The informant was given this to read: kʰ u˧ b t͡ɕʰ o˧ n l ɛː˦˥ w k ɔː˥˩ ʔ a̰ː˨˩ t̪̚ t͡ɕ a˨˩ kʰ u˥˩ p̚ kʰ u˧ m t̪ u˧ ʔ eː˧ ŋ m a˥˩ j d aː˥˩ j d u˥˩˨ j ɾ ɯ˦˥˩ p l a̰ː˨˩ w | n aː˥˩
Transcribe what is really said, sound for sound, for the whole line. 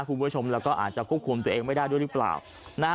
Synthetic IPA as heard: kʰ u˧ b t͡ɕʰ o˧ m l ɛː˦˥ w k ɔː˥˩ ʔ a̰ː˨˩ t̪̚ t͡ɕ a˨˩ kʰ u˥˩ p̚ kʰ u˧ m t̪ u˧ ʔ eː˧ ŋ m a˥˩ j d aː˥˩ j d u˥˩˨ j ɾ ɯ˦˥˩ p l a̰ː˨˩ w | n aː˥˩